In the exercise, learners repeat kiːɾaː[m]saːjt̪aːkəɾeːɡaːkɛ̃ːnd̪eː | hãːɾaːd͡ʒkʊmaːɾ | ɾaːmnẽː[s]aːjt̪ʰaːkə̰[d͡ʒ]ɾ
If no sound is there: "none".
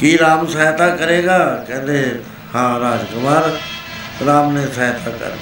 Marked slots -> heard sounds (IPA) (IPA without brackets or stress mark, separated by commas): m, s, none